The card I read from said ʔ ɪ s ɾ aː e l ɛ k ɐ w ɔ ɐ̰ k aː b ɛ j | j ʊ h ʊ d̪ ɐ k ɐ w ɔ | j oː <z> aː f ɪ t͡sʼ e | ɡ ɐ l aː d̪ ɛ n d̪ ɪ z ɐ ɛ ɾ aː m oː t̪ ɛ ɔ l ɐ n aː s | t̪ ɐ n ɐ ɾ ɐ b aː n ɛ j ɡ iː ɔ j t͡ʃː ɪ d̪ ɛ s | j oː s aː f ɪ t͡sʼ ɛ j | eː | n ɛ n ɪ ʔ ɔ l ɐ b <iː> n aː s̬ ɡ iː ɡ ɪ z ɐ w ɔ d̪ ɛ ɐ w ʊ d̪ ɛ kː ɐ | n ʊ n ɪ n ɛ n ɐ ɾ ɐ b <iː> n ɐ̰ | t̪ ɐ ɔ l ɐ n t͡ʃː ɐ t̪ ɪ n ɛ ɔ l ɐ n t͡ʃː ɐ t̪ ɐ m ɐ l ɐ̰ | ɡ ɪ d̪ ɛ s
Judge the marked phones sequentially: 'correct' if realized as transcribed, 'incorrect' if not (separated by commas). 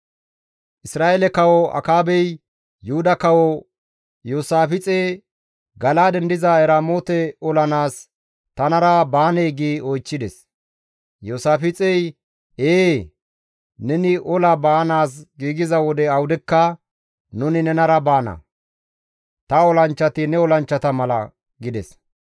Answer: incorrect, incorrect, incorrect